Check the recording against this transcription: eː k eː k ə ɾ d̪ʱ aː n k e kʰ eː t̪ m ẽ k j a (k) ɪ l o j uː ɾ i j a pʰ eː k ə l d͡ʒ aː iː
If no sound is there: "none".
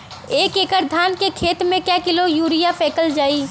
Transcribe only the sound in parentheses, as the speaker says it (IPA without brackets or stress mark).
k